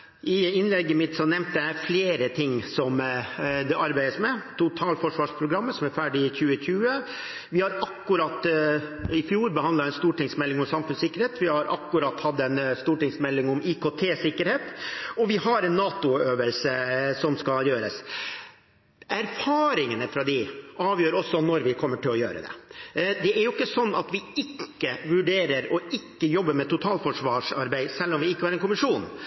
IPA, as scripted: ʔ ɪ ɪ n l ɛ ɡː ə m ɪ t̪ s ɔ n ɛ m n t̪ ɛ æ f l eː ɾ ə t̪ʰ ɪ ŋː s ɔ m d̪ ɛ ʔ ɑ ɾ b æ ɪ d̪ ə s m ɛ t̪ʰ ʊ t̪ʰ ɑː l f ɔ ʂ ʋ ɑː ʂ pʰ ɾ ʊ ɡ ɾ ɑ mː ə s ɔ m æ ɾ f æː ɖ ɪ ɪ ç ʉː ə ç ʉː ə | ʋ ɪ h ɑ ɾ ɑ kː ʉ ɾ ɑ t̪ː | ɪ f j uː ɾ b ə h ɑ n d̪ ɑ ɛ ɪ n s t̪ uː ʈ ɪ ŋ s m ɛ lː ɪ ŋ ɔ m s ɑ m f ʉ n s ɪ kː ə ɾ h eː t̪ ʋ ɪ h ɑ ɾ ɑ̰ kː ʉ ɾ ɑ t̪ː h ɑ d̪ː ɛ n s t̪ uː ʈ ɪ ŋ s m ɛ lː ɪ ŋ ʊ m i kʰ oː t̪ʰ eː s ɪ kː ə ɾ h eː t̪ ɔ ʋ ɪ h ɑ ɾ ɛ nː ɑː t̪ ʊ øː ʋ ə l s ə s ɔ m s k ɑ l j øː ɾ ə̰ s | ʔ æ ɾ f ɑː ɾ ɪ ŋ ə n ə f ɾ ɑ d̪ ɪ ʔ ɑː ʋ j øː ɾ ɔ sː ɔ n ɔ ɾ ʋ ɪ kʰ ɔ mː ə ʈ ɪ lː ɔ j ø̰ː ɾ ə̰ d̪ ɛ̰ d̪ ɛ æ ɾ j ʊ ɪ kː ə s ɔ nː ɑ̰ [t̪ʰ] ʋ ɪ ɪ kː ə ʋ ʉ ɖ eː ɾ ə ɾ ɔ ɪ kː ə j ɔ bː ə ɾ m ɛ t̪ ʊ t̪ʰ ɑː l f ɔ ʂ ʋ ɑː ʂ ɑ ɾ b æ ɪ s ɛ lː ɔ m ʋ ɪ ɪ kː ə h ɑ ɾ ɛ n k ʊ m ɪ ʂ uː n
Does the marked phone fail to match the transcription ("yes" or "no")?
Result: yes